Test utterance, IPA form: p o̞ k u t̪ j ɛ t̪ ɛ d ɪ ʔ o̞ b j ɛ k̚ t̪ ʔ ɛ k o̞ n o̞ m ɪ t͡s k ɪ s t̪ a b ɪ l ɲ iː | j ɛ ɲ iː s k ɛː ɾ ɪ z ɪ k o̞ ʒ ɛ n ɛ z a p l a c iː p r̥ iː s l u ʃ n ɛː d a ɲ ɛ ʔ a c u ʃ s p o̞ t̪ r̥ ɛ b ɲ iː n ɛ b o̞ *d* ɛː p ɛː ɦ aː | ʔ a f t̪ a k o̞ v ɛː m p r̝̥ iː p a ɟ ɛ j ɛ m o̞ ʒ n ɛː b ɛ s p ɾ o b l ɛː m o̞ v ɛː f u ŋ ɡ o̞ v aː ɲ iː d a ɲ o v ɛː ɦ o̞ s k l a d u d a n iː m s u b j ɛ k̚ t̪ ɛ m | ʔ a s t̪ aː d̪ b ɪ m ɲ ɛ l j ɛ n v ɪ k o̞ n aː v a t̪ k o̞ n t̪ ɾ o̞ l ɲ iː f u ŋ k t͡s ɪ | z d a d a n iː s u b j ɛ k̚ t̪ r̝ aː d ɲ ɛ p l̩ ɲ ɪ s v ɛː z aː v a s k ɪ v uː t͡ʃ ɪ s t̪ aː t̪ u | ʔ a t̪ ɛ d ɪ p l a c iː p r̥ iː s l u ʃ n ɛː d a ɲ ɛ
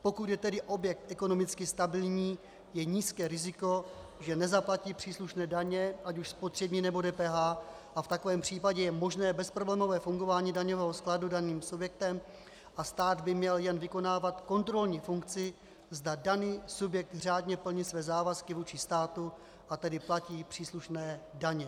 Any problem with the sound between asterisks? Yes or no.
no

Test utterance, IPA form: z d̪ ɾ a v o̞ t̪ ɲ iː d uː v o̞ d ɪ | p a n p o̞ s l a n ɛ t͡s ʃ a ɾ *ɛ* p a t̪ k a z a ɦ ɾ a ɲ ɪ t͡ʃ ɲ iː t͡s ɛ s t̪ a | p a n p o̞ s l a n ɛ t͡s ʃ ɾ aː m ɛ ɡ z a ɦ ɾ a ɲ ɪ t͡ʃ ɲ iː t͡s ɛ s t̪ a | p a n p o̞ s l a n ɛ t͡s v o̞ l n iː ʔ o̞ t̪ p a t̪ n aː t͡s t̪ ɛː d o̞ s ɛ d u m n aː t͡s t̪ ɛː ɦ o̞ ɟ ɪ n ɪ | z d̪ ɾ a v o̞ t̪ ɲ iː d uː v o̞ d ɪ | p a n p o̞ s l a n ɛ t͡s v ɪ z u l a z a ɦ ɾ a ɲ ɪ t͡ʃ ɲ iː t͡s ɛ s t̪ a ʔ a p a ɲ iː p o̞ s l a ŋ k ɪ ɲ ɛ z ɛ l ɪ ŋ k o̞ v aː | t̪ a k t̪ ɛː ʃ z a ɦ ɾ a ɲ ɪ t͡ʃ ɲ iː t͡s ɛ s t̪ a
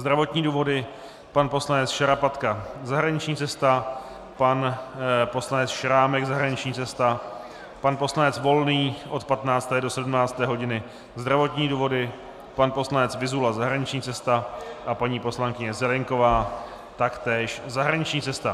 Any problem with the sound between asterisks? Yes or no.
yes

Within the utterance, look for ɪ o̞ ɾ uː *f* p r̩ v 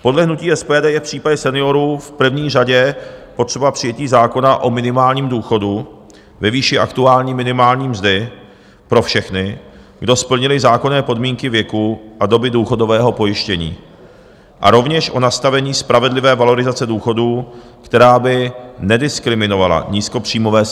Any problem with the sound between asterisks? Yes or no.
no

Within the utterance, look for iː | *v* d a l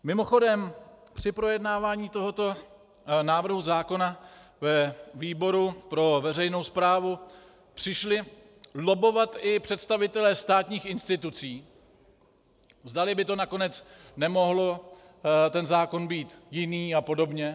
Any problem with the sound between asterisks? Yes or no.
yes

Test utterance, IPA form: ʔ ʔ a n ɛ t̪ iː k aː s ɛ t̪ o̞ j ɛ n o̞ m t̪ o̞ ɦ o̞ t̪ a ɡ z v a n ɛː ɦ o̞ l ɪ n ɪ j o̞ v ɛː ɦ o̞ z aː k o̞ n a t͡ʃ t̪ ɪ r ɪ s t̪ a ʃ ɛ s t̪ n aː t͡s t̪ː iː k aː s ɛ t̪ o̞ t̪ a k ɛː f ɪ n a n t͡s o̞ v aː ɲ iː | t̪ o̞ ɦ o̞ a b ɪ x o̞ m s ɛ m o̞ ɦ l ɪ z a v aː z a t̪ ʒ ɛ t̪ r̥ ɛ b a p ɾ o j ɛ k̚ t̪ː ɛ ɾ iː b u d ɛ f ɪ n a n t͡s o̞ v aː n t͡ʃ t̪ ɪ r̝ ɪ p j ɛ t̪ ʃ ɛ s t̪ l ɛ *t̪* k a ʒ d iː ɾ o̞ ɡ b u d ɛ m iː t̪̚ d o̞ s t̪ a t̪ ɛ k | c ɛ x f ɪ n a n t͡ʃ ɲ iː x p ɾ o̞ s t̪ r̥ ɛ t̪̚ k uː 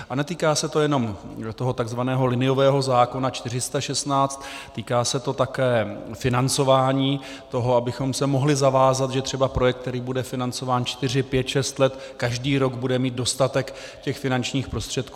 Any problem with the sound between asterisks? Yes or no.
no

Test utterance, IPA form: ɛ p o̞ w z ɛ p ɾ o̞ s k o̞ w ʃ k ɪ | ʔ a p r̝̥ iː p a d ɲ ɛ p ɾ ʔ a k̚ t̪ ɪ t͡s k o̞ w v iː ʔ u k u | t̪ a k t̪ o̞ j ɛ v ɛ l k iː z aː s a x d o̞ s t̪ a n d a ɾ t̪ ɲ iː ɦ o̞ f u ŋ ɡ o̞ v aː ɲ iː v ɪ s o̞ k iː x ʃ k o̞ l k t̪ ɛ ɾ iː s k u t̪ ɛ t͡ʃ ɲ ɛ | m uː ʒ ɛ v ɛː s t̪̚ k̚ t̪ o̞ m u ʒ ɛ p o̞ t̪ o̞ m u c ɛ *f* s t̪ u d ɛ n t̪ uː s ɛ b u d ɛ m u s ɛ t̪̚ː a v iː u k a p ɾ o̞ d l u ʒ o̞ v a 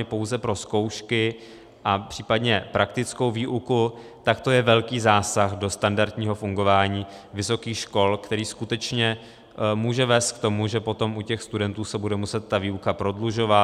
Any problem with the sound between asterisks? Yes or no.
yes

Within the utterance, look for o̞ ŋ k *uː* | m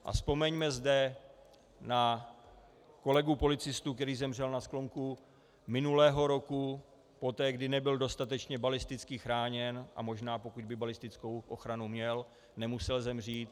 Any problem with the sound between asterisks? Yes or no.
yes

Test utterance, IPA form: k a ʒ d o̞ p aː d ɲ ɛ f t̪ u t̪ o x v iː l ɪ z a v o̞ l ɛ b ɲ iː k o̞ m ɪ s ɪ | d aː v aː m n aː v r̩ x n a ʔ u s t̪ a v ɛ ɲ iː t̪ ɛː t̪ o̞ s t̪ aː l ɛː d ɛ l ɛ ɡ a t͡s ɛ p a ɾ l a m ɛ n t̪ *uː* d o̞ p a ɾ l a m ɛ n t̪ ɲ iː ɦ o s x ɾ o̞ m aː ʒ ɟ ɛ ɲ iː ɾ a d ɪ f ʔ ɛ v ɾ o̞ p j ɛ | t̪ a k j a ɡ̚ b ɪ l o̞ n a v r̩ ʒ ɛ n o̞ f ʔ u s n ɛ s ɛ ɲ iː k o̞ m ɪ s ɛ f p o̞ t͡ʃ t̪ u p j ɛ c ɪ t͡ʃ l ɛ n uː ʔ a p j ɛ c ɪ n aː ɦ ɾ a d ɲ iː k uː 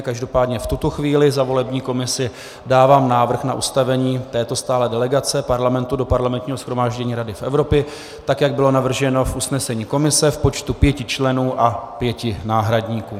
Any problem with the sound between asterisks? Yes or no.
yes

